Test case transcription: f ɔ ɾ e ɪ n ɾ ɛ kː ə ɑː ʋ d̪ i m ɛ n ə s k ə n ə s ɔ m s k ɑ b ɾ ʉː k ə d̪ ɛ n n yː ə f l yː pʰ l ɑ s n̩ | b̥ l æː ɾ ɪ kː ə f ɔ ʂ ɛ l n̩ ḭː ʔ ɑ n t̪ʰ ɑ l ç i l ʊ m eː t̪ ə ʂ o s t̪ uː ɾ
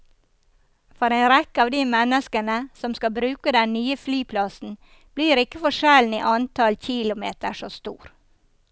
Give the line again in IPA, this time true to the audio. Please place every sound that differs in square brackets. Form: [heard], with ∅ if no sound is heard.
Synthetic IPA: f ɔ ɾ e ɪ n ɾ ɛ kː ə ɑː ʋ d̪ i m ɛ n ə s k ə n ə s ɔ m s k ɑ b ɾ ʉː k ə d̪ ɛ n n yː ə f l yː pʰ l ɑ s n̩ | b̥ l [iː] ɾ ɪ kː ə f ɔ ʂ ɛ l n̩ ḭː ʔ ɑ n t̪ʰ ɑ l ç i l ʊ m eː t̪ ə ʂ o s t̪ uː ɾ